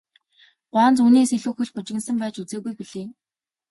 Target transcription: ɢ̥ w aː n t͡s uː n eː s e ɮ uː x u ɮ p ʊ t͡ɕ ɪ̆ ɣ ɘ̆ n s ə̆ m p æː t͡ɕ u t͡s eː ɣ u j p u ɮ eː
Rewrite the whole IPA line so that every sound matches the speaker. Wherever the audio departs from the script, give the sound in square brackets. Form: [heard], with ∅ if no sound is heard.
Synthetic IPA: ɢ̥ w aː n t͡s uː n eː s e ɮ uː x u ɮ p ʊ t͡ɕ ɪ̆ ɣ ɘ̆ n s ə̆ m p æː t͡ɕ u t͡s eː ɣ u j p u ɮ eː